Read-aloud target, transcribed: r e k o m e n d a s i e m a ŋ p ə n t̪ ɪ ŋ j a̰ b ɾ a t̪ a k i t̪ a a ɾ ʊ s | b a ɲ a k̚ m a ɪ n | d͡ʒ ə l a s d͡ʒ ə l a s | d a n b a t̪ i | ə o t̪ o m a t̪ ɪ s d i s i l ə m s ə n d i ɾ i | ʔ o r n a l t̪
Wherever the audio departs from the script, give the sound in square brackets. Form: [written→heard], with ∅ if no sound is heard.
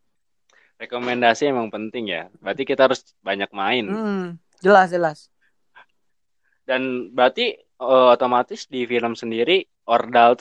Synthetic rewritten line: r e k o m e n d a s i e m a ŋ p ə n t̪ ɪ ŋ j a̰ b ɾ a t̪ [a→i] k i t̪ a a ɾ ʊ s | b a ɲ a k̚ m a ɪ n | d͡ʒ ə l a s d͡ʒ ə l a s | d a n b a t̪ i | ə o t̪ o m a t̪ ɪ s d i [s→f] i l ə m s ə n d i ɾ i | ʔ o r [n→d] a l t̪